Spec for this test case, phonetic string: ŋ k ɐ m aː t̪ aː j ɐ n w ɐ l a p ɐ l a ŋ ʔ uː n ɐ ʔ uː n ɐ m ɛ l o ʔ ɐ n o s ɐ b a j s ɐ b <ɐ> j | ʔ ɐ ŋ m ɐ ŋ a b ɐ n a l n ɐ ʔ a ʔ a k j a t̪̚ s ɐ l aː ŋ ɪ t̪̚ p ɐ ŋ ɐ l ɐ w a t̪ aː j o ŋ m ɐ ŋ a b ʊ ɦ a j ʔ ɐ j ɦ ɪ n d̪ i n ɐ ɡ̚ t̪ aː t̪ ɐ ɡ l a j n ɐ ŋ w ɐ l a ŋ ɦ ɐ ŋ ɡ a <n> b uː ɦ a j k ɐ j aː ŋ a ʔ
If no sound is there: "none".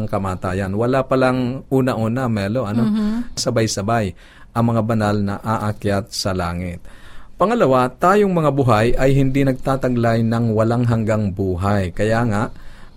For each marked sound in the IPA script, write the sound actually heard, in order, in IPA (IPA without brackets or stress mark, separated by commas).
a, ŋ